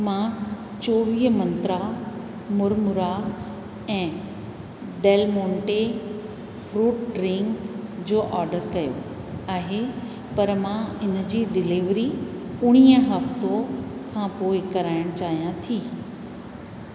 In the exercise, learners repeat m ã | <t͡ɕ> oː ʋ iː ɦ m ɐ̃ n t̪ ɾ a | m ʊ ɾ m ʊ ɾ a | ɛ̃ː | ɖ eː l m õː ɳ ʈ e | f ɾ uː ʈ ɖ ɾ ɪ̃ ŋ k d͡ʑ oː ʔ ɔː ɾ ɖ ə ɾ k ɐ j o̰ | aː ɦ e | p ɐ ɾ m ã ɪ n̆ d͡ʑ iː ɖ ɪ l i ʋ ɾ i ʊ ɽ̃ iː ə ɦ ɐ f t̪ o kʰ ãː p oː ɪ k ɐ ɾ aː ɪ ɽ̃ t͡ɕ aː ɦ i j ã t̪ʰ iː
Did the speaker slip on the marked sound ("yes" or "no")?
no